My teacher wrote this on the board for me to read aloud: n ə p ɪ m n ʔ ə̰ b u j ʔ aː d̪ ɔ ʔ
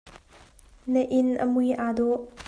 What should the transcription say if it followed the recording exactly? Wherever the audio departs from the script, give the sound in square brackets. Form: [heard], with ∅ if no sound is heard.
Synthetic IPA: n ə [ʔ] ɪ [∅] n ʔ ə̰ [m] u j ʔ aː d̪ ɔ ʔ